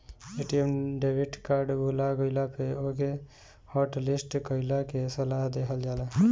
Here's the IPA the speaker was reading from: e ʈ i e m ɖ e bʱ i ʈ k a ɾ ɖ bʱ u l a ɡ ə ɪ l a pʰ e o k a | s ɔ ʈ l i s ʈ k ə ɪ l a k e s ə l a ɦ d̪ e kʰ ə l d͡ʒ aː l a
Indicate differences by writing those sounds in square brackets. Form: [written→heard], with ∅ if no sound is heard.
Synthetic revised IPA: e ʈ i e m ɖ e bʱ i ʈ k a ɾ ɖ bʱ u l a ɡ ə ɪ l a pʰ e o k [a→e] | [s→h] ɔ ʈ l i s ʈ k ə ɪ l a k e s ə l a ɦ d̪ e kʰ ə l d͡ʒ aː l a